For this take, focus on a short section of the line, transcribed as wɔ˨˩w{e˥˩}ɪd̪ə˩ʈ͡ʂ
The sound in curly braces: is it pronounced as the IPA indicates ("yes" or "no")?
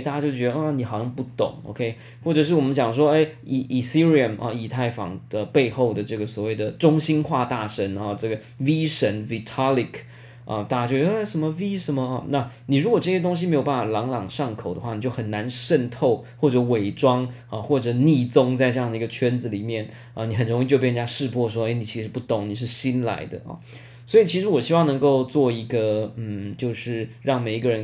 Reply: yes